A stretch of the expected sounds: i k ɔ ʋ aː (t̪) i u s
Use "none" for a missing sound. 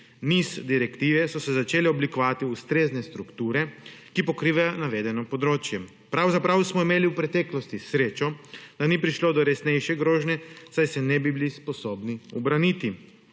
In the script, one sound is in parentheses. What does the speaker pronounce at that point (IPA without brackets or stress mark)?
t̪